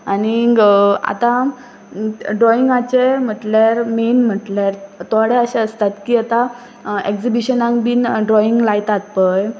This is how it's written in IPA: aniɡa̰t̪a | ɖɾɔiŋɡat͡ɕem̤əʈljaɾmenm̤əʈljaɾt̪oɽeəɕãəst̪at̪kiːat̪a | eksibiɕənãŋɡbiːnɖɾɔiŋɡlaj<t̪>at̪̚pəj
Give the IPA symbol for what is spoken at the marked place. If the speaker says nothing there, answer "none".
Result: t̪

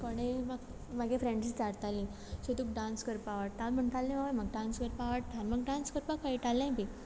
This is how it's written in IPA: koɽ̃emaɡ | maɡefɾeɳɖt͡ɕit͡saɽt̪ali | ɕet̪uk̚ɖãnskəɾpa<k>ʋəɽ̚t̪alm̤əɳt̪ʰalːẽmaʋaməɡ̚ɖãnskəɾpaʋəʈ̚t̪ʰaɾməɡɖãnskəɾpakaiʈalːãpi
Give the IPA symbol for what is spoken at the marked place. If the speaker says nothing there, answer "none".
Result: none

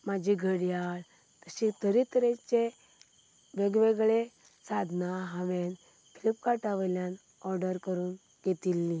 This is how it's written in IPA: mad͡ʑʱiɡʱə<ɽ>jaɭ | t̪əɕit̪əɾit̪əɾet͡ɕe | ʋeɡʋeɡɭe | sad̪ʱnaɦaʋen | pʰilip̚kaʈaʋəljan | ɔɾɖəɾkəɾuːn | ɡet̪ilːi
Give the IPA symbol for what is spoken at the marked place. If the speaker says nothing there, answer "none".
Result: ɽ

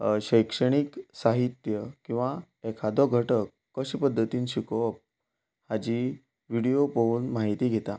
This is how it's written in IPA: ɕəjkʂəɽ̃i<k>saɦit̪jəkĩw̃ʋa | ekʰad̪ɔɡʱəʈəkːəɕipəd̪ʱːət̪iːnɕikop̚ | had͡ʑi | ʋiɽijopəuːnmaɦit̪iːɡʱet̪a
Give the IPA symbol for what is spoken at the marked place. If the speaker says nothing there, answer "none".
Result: k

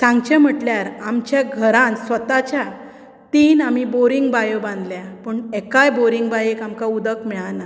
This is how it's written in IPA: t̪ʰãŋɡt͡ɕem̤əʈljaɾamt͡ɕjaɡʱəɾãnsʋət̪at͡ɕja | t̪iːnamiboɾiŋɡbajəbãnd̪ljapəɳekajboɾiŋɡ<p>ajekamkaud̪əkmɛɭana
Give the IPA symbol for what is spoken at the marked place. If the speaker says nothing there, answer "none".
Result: b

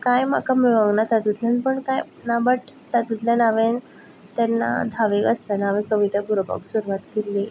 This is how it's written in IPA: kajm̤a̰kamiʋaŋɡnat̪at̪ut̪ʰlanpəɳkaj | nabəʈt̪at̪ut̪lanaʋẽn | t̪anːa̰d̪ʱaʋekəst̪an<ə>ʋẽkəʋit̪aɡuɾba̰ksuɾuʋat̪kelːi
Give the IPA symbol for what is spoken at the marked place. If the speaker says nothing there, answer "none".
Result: a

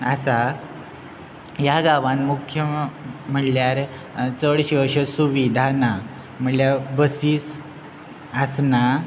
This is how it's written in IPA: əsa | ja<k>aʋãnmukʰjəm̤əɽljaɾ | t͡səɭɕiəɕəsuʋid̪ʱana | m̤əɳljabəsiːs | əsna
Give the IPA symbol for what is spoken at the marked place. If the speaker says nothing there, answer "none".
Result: ɡ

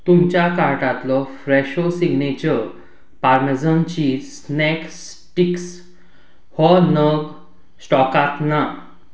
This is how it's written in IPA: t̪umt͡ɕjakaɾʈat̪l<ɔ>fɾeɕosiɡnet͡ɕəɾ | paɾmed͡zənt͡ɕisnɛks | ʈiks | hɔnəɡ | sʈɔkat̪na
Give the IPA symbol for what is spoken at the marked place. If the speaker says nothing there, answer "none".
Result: ɔ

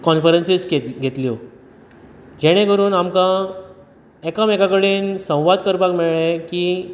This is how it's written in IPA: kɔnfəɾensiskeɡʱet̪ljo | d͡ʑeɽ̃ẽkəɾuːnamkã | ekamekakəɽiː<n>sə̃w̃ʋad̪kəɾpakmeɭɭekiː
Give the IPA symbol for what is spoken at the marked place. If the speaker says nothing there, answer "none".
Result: n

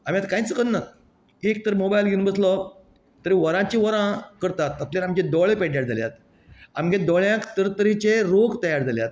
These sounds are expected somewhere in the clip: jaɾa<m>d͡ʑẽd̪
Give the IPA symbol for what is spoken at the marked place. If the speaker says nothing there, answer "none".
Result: m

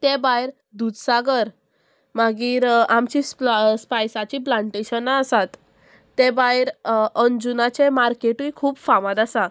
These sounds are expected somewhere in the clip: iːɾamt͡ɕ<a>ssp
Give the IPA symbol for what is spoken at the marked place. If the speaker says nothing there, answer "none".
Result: i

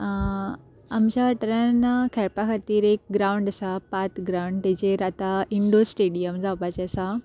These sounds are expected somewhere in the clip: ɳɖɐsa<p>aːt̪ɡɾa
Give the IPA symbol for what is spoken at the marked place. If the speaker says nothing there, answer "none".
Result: p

